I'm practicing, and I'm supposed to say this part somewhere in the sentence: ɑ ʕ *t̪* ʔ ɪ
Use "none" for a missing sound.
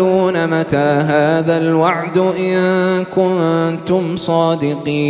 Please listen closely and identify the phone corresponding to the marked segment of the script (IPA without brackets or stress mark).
d̪